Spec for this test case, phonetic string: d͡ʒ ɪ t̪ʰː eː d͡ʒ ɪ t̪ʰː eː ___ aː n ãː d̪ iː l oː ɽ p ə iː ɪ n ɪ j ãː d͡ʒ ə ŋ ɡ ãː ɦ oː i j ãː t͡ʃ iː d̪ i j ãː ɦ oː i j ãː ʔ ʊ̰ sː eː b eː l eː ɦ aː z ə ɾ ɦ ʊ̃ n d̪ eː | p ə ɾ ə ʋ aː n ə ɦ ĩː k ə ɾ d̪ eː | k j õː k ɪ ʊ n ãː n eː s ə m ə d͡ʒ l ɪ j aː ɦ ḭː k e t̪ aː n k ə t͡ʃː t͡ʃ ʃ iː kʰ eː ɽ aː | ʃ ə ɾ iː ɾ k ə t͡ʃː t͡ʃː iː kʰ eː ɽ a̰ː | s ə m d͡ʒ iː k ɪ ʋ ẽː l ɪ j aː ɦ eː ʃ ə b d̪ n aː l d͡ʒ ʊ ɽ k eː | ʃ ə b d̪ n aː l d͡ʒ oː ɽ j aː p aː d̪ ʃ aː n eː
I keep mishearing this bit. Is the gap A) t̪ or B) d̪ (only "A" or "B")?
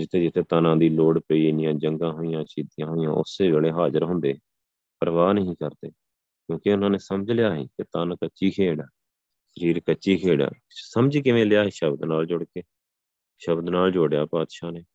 A